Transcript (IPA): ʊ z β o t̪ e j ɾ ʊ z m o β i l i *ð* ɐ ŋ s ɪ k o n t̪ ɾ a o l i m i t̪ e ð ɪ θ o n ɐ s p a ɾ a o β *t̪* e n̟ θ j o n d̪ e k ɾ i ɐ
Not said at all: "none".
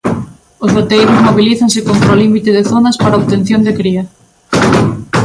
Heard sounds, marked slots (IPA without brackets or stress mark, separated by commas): θ, t̪